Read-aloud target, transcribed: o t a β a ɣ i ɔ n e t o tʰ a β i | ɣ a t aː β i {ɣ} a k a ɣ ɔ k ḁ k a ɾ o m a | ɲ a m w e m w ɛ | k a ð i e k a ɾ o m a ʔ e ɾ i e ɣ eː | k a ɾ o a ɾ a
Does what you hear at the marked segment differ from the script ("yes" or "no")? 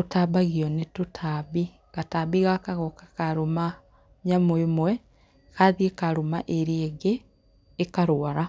no